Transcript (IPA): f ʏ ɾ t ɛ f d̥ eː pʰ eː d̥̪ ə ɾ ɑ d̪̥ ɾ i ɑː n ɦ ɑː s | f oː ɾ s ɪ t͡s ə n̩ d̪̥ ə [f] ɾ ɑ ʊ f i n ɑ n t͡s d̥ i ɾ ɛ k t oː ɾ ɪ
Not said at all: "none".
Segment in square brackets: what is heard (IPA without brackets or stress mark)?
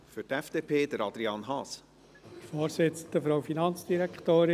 f